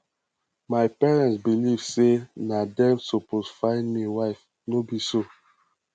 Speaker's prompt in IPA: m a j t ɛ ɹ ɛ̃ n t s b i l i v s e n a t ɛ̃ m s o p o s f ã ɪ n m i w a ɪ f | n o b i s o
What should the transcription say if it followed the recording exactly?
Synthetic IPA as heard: m a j p ɛ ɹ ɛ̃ n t s b i l i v s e n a d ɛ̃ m s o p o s f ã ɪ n m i w a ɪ f | n o b i s o